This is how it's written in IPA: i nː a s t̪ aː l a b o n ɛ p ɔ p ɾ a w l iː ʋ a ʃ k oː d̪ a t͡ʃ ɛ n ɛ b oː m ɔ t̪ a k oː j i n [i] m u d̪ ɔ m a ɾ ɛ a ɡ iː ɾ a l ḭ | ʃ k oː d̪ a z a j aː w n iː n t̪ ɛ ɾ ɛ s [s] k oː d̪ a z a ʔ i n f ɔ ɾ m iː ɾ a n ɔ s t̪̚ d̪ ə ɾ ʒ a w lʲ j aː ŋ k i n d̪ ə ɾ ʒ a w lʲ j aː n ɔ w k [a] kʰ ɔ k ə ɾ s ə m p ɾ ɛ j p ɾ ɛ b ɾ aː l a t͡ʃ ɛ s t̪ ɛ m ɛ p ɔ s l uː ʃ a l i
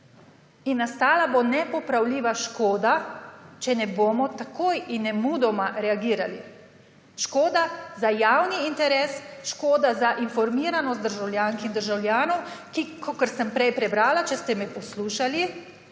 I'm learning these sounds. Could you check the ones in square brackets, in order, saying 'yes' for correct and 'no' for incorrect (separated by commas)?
no, no, no